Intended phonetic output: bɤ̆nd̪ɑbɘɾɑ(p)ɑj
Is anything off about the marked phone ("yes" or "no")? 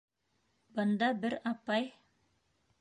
no